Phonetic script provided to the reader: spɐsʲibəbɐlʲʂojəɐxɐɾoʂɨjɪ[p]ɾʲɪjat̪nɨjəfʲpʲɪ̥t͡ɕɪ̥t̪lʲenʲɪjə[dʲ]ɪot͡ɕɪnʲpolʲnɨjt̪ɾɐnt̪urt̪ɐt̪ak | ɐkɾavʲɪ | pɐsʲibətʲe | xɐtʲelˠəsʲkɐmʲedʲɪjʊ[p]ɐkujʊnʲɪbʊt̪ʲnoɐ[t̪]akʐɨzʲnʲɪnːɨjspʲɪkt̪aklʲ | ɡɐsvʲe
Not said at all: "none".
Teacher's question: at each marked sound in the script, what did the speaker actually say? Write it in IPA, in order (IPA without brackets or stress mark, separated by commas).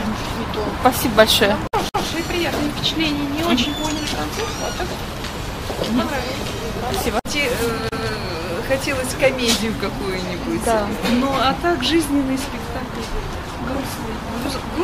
p, nʲ, k, t̪